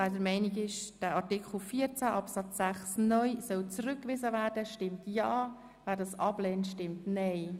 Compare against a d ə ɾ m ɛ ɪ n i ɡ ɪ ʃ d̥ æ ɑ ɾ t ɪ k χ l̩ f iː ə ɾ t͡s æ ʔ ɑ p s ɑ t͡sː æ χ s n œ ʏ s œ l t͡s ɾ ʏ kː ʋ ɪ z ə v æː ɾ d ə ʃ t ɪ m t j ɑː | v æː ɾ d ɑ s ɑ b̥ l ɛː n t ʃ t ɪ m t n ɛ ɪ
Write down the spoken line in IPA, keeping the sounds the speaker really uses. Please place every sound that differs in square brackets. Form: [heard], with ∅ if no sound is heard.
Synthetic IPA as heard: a d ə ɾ m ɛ ɪ n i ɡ ɪ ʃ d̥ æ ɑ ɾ t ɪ k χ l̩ f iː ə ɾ t͡s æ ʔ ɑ p s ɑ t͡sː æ χ s n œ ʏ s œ l t͡s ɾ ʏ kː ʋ ɪ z ə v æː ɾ d ə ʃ t ɪ m t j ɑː | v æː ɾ d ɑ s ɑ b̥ l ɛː n t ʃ t ɪ m t n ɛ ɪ